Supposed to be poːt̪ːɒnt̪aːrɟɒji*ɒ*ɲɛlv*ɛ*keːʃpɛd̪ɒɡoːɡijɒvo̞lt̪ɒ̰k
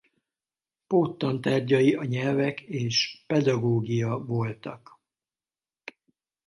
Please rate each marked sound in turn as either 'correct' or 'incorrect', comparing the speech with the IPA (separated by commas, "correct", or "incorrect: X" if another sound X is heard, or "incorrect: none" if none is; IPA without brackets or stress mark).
correct, correct